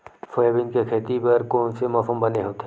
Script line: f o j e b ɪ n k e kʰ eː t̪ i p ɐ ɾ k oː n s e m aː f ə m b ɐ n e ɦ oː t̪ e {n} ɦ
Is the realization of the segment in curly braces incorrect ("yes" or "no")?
yes